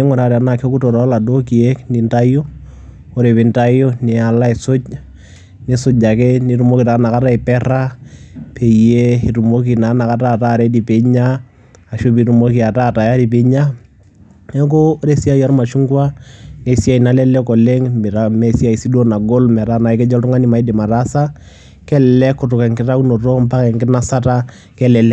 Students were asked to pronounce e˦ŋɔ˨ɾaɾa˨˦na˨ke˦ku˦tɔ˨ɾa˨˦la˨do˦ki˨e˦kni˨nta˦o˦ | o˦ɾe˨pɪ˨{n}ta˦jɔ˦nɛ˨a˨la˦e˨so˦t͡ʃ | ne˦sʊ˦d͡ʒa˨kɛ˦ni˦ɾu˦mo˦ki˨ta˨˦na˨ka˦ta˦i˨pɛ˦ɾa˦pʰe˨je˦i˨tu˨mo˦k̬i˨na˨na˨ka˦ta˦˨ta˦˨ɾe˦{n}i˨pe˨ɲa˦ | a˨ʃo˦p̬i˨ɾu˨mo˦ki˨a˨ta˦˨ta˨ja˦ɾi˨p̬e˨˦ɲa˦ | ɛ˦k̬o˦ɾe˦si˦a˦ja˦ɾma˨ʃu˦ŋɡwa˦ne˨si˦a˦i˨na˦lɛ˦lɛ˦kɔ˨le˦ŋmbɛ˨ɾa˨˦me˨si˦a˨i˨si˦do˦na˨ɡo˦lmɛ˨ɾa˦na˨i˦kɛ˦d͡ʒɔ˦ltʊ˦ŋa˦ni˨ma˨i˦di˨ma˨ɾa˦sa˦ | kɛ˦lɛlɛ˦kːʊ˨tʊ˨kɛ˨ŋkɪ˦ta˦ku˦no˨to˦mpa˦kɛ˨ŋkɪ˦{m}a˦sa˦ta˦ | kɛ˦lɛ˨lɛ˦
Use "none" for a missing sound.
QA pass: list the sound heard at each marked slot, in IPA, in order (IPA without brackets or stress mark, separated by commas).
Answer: n, d, n